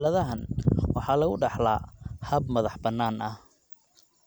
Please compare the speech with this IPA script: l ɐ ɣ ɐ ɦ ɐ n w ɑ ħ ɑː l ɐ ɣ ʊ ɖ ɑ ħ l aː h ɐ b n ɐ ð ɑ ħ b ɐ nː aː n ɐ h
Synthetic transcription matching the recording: l ɐ ð ɐ ɦ ɐ n w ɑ ħ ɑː l ɐ ɣ ʊ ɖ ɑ ħ l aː h ɐ b m ɐ ð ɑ ħ b ɐ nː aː n ɐ h